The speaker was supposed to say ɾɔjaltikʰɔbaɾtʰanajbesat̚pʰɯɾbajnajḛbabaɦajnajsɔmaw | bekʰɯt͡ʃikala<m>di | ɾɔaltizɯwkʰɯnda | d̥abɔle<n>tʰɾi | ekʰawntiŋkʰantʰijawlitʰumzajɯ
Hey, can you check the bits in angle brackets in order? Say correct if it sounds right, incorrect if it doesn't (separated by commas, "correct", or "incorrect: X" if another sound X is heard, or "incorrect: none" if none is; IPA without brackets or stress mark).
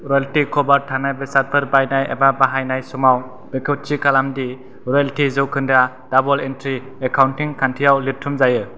correct, correct